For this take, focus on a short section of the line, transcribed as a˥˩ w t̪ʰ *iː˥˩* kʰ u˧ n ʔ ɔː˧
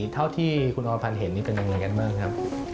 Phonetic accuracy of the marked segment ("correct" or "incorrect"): correct